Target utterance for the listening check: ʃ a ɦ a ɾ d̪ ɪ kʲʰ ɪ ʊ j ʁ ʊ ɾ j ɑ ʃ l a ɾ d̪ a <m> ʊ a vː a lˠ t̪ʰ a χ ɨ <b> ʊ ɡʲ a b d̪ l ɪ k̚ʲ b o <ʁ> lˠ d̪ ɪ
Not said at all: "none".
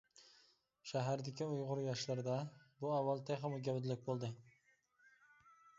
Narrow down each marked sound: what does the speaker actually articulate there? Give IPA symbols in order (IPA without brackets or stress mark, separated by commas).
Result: b, m, none